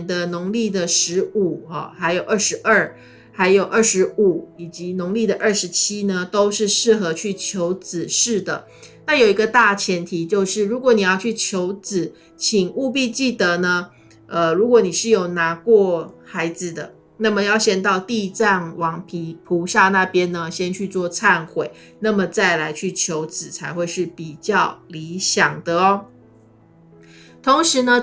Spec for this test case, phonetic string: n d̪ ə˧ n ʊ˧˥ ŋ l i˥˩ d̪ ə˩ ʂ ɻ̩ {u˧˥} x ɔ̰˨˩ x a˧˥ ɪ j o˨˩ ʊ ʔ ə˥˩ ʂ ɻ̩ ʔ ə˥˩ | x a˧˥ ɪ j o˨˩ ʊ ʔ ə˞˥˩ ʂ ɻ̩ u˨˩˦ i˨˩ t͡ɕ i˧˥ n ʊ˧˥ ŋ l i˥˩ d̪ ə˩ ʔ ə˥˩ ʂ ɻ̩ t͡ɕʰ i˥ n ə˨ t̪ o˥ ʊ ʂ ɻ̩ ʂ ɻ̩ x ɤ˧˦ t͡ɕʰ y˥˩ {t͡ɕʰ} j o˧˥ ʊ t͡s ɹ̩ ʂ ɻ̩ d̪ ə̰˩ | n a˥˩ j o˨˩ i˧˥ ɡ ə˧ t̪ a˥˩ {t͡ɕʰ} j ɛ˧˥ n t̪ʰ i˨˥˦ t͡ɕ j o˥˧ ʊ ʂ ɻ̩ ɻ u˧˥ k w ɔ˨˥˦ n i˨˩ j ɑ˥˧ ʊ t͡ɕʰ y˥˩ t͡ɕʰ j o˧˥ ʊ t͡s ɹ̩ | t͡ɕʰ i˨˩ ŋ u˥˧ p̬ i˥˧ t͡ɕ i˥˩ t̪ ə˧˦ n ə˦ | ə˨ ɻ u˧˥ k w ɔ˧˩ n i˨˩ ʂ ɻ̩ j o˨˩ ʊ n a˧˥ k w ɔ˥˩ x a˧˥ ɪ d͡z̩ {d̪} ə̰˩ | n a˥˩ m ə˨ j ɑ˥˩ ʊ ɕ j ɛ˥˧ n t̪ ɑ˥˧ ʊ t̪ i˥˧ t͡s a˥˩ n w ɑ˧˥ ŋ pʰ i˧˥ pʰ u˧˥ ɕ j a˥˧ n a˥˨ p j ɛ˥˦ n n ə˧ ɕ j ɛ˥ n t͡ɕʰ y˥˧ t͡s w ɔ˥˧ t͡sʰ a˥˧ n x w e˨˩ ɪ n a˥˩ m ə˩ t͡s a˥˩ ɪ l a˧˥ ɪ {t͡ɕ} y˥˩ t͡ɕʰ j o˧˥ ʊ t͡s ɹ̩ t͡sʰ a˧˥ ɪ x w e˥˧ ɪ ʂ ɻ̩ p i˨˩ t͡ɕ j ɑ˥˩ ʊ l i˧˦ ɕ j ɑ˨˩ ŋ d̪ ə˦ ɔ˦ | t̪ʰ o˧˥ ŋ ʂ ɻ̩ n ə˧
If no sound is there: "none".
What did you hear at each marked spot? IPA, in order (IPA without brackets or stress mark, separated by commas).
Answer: u˨˩, t͡ɕʰ, t͡ɕʰ, d̪, t͡ɕʰ